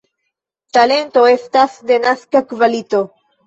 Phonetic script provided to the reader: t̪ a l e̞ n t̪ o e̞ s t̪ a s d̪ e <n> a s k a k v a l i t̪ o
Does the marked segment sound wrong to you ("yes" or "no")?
no